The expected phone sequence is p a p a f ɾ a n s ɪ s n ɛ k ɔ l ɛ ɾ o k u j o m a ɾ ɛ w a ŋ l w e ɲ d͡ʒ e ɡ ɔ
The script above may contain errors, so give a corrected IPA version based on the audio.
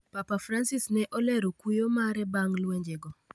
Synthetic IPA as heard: p a p a f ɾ a n s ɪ s n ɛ ʔ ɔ l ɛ ɾ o k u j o m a ɾ ɛ b a ŋ l w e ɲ d͡ʒ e ɡ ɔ